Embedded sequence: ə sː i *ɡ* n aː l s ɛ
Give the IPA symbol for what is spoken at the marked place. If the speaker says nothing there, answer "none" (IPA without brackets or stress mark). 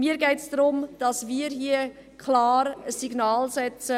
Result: ɡ